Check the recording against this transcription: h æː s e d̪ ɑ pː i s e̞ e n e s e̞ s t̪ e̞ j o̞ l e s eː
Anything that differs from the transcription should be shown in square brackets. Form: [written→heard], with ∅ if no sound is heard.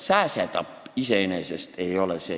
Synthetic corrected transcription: [h→s] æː s e [d̪→t̪] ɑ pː i s e̞ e n e s e̞ s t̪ e̞ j o̞ l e s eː